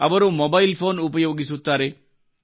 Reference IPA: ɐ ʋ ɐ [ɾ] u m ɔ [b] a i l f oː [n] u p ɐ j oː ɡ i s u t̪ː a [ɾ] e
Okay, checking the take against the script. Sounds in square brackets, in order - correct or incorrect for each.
correct, correct, correct, correct

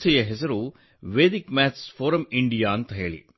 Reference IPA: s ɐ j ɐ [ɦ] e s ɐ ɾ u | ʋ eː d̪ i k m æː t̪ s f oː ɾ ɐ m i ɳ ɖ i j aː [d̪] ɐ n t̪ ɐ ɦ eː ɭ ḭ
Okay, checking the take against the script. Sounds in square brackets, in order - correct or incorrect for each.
correct, incorrect

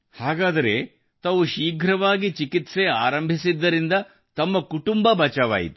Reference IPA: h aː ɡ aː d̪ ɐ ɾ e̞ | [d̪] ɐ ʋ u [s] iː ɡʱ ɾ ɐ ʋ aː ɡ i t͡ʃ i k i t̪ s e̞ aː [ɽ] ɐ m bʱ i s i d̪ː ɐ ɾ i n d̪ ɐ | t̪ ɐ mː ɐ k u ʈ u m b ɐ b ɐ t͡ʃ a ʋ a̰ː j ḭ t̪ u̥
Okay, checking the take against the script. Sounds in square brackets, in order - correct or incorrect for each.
incorrect, incorrect, incorrect

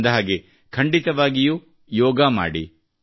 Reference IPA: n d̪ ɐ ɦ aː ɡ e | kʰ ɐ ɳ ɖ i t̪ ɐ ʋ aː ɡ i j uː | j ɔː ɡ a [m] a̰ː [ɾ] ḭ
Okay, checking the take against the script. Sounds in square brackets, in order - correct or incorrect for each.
correct, incorrect

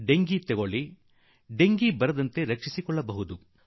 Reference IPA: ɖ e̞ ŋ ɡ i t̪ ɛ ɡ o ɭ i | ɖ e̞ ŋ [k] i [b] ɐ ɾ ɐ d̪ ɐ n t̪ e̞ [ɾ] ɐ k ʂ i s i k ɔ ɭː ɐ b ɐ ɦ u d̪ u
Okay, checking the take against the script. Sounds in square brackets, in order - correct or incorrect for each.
incorrect, correct, correct

